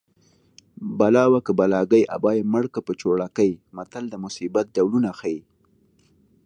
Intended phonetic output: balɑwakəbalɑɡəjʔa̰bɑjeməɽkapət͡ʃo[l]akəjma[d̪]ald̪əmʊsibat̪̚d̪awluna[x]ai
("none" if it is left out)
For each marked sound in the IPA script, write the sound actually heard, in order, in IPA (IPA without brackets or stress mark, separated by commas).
ɽ, t̪, x